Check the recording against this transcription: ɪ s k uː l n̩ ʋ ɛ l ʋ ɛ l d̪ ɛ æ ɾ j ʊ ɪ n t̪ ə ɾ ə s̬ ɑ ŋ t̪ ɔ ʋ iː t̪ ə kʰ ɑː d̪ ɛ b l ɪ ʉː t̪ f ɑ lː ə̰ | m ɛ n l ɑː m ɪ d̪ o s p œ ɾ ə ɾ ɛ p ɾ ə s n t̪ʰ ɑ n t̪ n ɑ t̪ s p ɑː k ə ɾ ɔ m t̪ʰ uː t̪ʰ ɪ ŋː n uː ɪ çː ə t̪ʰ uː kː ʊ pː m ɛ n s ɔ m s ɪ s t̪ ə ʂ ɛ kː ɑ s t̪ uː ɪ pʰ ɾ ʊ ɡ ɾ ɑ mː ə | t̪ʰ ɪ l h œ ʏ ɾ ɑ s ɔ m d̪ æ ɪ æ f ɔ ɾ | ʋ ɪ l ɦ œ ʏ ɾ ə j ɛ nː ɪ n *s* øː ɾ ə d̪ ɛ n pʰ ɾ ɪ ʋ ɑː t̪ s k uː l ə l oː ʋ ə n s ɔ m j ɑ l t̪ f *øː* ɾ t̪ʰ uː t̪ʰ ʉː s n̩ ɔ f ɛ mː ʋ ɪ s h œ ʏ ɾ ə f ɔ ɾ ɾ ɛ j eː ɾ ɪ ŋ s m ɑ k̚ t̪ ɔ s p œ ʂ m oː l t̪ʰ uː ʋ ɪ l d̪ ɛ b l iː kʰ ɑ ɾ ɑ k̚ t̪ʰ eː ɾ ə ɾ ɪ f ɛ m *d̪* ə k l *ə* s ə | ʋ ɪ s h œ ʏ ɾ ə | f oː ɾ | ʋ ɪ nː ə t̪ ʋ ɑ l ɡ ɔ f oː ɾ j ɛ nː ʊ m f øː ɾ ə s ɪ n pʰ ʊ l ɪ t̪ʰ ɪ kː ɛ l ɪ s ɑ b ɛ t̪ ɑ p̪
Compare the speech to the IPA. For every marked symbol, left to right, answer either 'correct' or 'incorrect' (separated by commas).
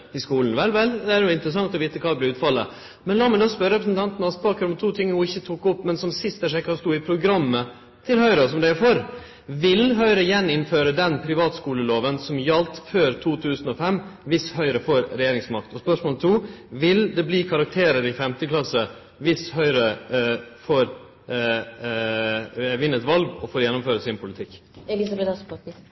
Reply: incorrect, correct, incorrect, incorrect